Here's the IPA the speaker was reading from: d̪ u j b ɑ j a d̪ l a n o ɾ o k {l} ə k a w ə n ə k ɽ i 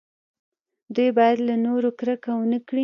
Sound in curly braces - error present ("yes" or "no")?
yes